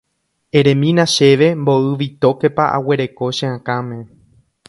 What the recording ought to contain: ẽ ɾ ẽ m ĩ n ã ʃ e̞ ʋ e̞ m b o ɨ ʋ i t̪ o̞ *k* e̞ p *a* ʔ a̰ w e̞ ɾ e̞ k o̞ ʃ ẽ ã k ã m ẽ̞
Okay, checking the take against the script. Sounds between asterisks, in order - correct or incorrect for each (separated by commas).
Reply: correct, correct